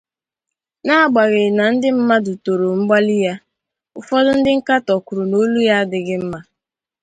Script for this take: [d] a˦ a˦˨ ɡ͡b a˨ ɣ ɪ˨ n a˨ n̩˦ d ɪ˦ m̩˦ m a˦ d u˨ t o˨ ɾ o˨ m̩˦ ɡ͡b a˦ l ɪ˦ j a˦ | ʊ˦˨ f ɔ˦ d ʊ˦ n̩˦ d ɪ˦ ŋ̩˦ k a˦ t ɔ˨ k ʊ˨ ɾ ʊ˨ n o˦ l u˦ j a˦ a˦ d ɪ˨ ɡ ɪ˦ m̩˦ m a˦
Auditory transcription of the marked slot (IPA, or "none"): n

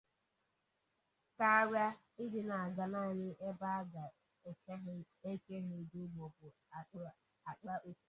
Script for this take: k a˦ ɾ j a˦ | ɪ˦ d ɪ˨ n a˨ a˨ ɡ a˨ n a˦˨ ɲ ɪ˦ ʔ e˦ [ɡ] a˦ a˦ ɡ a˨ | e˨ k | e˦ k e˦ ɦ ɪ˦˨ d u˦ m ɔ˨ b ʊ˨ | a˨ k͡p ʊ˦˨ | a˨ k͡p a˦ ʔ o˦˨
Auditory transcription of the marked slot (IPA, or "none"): b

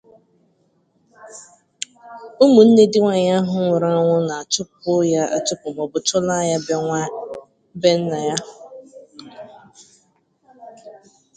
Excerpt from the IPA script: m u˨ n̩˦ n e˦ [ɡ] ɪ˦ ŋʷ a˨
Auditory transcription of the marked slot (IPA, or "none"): d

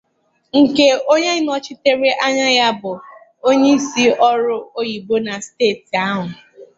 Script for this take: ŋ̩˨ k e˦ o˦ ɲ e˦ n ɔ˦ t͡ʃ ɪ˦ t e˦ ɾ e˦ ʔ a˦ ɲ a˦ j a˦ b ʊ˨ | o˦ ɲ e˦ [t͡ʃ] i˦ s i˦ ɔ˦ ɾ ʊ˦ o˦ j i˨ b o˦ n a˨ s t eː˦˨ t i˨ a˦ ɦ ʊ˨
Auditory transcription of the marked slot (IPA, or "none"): none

